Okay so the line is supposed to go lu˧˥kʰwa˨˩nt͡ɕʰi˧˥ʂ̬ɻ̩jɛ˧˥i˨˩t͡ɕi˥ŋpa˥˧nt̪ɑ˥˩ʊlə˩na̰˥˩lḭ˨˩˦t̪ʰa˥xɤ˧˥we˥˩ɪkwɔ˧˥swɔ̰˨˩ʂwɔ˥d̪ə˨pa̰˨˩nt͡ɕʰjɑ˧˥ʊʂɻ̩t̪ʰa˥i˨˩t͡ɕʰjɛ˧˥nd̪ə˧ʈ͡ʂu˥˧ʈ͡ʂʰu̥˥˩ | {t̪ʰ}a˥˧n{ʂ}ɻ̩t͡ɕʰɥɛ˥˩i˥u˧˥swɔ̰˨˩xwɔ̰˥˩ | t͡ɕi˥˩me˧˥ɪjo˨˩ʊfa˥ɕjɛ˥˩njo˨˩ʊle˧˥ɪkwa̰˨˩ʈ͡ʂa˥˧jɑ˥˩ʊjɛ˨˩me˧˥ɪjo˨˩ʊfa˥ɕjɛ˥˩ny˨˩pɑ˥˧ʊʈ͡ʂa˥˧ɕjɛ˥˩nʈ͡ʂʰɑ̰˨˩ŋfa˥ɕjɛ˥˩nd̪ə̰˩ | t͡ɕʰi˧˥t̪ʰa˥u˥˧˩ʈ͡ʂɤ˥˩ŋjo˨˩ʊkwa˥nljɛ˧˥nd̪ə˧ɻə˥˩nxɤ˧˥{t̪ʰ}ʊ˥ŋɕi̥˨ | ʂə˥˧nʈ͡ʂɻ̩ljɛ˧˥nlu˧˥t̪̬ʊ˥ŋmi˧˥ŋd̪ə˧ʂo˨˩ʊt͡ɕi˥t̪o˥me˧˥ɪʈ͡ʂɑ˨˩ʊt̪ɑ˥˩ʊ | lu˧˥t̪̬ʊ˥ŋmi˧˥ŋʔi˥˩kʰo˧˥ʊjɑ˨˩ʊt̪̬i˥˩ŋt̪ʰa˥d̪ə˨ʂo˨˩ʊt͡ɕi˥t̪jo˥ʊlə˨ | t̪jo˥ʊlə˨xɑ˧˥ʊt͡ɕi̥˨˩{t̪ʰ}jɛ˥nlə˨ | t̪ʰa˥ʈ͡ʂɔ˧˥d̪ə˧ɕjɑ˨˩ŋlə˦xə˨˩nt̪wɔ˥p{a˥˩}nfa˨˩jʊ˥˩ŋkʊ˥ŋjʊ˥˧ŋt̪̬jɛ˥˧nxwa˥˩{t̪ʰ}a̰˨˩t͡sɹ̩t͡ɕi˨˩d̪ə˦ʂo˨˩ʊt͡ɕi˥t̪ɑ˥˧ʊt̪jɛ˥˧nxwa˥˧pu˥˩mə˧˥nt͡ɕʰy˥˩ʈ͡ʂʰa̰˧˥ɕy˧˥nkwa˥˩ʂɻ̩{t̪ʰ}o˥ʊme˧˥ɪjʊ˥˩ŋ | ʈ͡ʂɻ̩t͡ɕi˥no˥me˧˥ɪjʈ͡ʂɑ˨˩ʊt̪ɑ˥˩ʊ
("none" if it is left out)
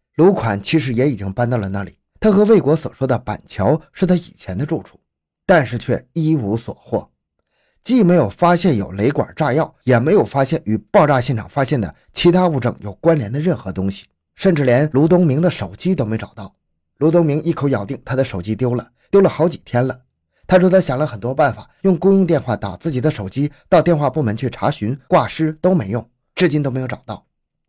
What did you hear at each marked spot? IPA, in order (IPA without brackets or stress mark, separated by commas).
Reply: t̪, ʂ, t̪, t̪ʰ, a˥˩, t̪, t̪